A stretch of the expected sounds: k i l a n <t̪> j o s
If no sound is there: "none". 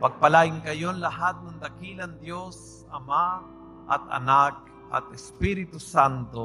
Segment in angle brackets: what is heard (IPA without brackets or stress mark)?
d̪